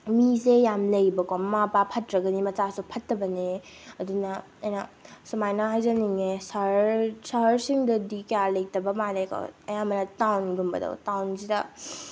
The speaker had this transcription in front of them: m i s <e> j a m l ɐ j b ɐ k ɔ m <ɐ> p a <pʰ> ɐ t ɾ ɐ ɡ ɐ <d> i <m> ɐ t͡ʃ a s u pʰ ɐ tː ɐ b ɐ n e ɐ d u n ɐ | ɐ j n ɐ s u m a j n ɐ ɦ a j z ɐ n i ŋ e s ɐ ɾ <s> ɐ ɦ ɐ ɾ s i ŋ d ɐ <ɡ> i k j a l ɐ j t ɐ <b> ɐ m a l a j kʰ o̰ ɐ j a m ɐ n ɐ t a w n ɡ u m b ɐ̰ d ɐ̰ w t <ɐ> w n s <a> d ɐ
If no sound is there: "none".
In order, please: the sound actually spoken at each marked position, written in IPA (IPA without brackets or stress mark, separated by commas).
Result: e, a, pʰ, n, m, s, d, b, a, i